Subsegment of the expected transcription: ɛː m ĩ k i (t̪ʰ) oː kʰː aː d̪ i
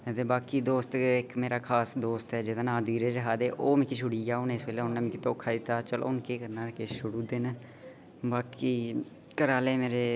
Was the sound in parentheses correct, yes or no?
no